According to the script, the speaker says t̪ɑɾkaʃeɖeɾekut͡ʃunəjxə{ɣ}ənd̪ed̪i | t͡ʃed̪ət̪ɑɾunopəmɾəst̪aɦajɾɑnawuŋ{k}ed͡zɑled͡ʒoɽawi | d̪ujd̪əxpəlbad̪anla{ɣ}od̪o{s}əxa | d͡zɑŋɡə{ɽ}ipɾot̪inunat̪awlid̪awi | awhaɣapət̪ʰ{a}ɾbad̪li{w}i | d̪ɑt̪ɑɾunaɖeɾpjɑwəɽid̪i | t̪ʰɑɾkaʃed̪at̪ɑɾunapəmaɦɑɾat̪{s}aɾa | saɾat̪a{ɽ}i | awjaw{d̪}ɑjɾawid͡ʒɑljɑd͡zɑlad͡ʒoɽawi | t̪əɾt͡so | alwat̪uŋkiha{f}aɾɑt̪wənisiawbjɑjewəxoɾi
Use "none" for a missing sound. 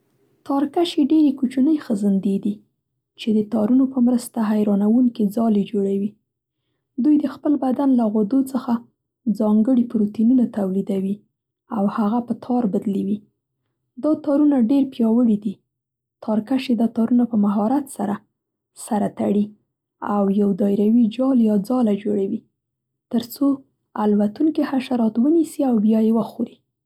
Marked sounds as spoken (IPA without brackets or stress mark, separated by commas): z, k, ɣ, t͡s, ɽ, ɑ, w, s, ɽ, d̪, ʃ